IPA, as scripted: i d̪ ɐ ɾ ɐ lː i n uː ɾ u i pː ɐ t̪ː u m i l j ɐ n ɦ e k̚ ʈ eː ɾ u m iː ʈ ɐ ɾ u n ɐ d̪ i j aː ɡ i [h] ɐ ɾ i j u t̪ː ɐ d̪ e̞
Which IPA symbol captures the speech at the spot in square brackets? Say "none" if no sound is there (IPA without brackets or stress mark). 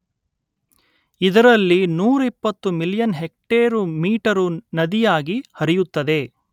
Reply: h